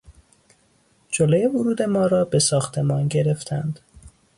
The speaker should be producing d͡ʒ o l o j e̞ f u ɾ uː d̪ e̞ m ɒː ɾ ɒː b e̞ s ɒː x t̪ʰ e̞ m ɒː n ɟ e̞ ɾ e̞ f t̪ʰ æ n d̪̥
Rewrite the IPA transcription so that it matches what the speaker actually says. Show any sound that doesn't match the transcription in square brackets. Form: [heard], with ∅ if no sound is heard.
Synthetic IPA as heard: d͡ʒ o l o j e̞ [v] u ɾ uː d̪ e̞ m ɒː ɾ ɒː b e̞ s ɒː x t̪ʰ e̞ m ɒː n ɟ e̞ ɾ e̞ f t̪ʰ æ n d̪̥